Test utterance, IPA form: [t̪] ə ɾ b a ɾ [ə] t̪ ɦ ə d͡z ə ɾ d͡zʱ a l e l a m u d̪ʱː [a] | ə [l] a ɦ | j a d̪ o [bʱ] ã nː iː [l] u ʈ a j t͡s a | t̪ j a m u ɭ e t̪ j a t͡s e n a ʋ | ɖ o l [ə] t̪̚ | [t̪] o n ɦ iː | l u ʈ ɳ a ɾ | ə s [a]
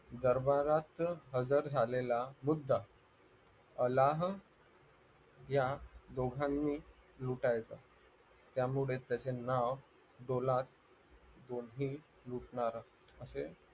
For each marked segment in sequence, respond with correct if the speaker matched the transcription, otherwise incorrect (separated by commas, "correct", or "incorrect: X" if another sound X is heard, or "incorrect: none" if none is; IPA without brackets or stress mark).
incorrect: d̪, incorrect: a, correct, correct, incorrect: ɡʱ, correct, incorrect: a, incorrect: d̪, incorrect: e